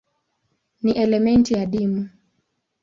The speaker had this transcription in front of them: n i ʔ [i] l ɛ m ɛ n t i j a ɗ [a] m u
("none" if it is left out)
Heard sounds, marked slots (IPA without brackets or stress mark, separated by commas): ɛ, i